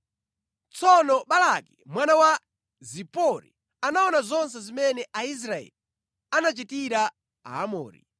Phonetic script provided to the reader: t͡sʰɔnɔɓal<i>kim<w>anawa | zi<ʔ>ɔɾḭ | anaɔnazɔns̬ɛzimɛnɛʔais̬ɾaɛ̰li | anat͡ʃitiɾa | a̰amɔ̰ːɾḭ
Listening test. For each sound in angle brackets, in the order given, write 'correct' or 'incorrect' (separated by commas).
incorrect, correct, incorrect